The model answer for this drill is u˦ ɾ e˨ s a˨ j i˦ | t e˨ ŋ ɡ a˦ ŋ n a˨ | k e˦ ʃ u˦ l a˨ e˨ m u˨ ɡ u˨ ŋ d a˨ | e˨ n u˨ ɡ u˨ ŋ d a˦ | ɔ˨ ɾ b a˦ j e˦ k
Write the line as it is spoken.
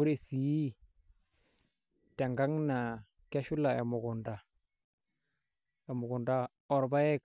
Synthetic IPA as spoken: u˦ ɾ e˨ s i˨ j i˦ | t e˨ ŋ ɡ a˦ ŋ n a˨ | k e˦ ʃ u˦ l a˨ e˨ m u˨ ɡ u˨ n d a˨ | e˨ m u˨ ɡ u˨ n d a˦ | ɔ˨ ɾ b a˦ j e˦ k